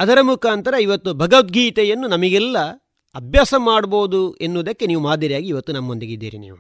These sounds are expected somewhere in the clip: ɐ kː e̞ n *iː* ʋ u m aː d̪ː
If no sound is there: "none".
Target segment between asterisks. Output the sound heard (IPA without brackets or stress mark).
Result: iː